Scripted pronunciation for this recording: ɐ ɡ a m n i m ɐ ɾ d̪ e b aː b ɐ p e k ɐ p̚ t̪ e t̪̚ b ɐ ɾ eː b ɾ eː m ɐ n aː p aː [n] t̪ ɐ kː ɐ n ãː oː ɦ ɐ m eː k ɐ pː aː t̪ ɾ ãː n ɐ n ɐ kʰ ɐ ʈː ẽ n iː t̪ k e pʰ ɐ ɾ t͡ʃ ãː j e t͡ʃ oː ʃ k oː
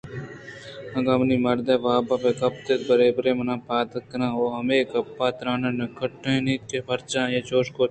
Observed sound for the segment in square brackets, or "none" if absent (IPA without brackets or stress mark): none